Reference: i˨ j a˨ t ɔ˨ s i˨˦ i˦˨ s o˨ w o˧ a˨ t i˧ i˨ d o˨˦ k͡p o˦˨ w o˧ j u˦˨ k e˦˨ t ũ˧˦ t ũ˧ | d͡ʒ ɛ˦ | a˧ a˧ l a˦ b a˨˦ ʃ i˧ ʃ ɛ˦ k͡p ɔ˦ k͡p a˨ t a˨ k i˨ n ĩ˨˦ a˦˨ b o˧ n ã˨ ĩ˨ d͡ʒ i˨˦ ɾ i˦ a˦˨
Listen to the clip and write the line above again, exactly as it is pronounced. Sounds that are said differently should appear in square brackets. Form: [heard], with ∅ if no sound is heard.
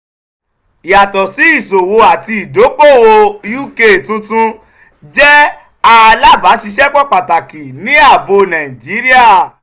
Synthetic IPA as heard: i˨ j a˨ t ɔ˨ s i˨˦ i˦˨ s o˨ w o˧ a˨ t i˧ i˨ d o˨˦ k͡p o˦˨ w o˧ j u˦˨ k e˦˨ t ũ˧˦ t ũ˧ | d͡ʒ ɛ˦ | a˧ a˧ l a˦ b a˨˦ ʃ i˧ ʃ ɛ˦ k͡p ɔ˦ k͡p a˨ t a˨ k i˨ n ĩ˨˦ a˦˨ b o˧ n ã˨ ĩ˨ d͡ʒ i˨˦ ɾ i˦ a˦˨